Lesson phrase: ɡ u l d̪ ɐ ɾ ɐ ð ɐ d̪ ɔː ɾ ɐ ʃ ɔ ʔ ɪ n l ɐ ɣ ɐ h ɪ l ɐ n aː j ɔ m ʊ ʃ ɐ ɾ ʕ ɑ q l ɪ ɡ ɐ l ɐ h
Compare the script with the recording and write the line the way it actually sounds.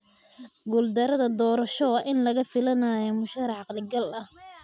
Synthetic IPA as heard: ɡ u l d̪ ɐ ɾ ɐ ð ɐ d̪ ɔː ɾ ɐ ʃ ɔ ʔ ɪ n l ɐ ɣ ɐ f ɪ l ɐ n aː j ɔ m ʊ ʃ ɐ ɾ ʕ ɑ q l ɪ ɡ ɐ l ɐ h